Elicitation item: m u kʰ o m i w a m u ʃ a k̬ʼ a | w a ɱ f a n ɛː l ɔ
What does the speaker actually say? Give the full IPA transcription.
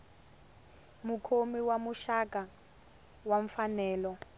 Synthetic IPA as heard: m u kʰ o m i w a m u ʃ a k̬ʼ a | w a ɱ f a n ɛː l ɔ